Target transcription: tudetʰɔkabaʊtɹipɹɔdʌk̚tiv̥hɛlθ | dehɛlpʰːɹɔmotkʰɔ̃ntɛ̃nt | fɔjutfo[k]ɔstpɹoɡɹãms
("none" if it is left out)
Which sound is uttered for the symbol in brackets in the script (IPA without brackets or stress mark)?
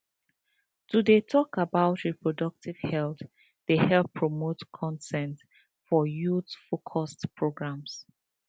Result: kʰ